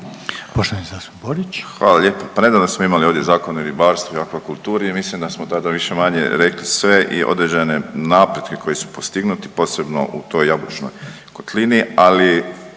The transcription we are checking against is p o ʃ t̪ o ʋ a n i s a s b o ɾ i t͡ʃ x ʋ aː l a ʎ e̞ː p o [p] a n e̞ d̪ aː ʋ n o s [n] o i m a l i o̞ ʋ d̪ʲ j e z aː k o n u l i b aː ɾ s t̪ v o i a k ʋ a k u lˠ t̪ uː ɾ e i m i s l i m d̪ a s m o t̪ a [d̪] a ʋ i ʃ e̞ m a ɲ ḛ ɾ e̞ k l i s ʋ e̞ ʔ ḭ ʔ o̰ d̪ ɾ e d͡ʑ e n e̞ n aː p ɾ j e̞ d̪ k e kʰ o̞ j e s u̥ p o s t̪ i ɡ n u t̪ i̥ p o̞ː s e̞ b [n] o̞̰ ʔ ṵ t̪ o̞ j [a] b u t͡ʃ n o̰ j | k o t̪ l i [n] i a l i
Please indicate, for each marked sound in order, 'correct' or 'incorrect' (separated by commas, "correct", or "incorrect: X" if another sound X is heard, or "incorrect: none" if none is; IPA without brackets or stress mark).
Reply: correct, incorrect: m, correct, correct, correct, correct